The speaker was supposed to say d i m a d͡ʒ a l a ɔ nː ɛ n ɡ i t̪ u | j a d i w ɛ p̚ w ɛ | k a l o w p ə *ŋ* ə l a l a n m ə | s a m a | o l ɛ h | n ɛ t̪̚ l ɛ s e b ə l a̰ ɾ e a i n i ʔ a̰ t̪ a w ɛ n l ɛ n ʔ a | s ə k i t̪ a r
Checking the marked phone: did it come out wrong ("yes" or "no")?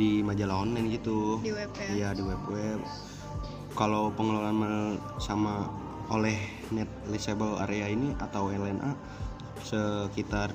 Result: no